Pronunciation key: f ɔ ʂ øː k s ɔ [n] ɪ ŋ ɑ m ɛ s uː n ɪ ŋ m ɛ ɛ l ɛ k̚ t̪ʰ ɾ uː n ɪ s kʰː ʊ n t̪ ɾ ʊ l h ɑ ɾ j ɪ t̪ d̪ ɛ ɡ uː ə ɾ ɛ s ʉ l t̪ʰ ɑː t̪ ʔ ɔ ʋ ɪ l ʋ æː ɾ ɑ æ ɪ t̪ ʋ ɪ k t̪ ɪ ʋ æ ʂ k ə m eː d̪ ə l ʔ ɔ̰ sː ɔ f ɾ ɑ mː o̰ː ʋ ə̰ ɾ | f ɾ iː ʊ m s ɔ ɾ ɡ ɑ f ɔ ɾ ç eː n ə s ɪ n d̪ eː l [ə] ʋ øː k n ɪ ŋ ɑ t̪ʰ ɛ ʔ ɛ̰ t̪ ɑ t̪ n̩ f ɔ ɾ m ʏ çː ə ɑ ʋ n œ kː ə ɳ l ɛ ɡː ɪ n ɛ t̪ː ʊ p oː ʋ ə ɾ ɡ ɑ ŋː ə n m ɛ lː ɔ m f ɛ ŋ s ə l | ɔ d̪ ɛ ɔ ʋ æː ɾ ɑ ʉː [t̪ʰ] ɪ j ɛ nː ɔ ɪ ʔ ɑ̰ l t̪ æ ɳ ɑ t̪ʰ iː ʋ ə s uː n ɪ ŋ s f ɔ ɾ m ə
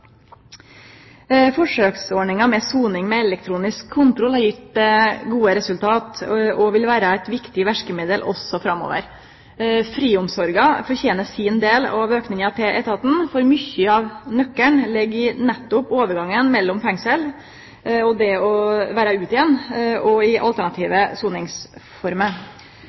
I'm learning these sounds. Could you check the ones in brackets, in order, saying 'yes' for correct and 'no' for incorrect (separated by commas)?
no, no, no